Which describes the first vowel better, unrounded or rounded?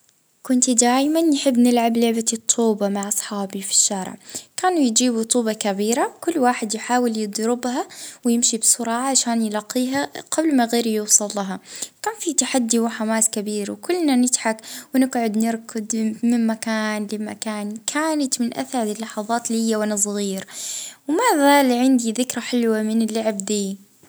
rounded